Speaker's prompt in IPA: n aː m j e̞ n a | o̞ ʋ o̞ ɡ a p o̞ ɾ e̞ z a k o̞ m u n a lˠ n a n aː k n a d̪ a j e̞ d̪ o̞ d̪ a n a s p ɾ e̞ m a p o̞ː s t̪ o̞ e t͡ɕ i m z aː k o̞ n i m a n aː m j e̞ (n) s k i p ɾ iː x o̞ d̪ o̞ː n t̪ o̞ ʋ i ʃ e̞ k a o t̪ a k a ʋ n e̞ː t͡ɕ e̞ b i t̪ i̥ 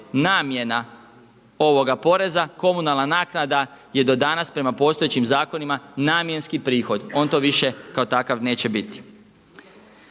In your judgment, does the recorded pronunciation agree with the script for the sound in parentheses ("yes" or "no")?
yes